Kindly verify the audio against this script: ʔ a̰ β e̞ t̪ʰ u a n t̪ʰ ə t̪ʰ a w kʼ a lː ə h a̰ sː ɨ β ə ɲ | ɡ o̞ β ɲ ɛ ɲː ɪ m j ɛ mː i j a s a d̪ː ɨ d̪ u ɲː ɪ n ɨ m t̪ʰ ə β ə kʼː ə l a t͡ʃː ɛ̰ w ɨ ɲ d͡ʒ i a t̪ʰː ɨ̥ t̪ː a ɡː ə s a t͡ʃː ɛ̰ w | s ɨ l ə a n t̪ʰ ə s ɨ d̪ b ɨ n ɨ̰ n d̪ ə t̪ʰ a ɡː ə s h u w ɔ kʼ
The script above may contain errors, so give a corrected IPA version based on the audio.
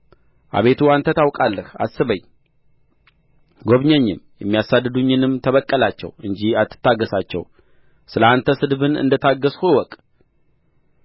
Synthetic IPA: ʔ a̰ β e̞ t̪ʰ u a n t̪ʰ ə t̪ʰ a w kʼ a lː ə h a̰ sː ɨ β ə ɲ | ɡ o̞ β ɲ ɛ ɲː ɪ m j ɛ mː i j a s a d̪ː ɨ d̪ u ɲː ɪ n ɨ m t̪ʰ ə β ə kʼː ə l a t͡ʃː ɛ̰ w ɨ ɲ d͡ʒ i a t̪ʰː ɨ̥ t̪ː a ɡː ə s a t͡ʃː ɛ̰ w | s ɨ l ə a n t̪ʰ ə s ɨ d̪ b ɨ n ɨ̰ n d̪ ə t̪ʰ a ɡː ə s h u w ɔ kʼ

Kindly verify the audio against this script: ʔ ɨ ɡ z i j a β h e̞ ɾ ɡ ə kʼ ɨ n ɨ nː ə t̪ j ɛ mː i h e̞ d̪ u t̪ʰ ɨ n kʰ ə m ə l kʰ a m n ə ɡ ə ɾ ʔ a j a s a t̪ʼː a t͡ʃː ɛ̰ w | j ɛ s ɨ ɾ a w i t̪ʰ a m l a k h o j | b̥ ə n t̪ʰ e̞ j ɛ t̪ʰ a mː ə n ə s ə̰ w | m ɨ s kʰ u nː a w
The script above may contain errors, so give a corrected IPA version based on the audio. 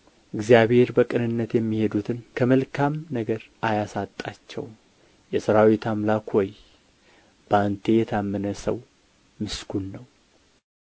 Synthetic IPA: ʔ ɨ ɡ z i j a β h e̞ ɾ b ə kʼ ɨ n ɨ nː ə t̪ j ɛ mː i h e̞ d̪ u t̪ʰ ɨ n kʰ ə m ə l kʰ a m n ə ɡ ə ɾ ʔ a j a s a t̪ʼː a t͡ʃː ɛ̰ w | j ɛ s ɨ ɾ a w i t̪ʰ a m l a k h o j | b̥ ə n t̪ʰ e̞ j ɛ t̪ʰ a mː ə n ə s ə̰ w | m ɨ s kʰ u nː ə w

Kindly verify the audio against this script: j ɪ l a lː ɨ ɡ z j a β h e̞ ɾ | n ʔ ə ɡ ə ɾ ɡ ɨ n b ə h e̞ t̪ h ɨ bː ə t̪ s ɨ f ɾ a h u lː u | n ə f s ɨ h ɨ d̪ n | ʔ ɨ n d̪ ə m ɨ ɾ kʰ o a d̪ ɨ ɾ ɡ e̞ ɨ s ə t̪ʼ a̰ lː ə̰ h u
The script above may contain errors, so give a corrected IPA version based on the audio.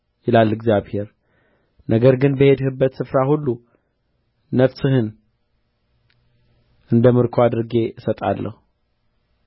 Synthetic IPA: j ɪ l a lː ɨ ɡ z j a β h e̞ ɾ | n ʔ ə ɡ ə ɾ ɡ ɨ n b ə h e̞ d̪ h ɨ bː ə t̪ s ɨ f ɾ a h u lː u | n ə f s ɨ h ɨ n | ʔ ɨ n d̪ ə m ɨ ɾ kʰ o a d̪ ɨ ɾ ɡ e̞ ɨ s ə t̪ʼ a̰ lː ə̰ h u

